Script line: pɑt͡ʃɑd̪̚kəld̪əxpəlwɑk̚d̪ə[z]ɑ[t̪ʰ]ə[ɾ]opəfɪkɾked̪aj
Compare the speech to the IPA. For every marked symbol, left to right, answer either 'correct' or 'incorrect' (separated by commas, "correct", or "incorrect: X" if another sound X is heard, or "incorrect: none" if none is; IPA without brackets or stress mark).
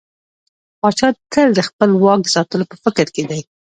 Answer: incorrect: s, incorrect: t̪, incorrect: l